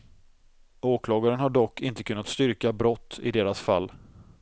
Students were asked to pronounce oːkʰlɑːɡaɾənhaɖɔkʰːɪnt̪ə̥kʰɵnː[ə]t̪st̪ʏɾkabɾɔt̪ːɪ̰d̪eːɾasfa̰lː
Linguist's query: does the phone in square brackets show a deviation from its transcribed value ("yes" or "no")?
yes